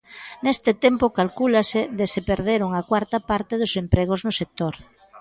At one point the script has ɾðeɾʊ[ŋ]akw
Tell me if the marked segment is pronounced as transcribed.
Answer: yes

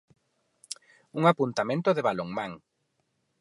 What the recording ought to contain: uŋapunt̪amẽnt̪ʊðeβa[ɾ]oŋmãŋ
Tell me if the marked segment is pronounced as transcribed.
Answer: no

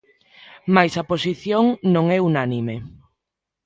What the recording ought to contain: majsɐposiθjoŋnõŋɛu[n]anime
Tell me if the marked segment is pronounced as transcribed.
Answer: yes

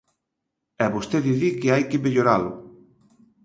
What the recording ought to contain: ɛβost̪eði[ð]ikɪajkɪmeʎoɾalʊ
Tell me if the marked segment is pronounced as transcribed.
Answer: yes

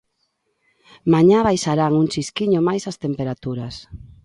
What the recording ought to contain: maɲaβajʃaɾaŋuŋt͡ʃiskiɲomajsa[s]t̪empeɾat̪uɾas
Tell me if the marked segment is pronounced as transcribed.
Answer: yes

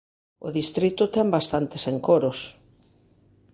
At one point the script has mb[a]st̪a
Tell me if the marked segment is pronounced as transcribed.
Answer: yes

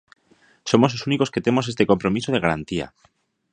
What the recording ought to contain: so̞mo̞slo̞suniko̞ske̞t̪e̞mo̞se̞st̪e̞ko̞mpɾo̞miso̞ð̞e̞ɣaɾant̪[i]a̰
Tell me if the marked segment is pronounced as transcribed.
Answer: yes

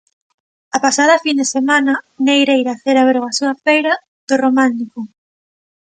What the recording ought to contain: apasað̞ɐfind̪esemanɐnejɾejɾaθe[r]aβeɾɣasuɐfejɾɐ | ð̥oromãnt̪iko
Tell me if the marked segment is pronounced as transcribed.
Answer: no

